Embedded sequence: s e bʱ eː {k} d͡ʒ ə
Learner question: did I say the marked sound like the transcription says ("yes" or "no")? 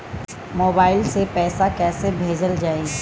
no